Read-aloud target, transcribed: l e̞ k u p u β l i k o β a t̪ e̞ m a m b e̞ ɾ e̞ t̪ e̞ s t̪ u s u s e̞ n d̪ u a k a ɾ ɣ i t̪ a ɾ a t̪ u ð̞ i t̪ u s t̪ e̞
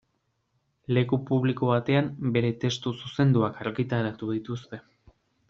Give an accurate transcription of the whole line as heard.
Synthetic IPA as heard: l e̞ k u p u β l i k o β a t̪ e̞ a m b e̞ ɾ e̞ t̪ e̞ s t̪ u s u s e̞ n d̪ u a k a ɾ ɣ i t̪ a ɾ a t̪ u ð̞ i t̪ u s t̪ e̞